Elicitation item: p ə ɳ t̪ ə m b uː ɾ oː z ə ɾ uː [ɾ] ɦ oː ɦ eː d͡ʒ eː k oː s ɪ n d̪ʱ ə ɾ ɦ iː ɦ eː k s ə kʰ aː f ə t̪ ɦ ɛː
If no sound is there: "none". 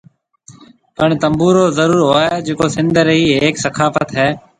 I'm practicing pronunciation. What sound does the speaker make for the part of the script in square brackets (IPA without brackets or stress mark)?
ɾ